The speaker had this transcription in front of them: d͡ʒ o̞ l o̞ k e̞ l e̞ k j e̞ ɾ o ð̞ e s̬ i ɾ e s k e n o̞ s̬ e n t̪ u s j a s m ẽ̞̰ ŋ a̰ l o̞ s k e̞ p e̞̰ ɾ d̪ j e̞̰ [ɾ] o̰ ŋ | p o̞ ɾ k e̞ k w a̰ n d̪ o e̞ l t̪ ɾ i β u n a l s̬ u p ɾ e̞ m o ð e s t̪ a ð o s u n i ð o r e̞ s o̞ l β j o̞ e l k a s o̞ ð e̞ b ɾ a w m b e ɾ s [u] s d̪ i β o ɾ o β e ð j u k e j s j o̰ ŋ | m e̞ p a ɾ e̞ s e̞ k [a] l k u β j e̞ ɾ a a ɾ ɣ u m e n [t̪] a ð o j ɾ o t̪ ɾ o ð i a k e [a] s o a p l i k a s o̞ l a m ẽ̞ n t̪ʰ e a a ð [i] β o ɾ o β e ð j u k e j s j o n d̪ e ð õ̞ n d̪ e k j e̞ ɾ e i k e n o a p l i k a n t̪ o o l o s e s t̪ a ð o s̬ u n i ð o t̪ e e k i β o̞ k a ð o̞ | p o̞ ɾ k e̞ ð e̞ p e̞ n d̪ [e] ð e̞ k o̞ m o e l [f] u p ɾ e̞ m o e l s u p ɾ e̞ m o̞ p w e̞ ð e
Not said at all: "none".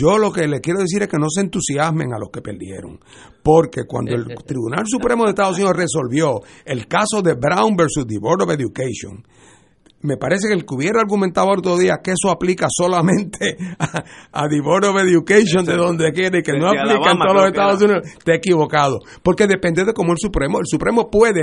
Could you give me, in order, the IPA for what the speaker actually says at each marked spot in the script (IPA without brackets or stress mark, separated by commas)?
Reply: ɾ, u, e, t̪, e, i, e, s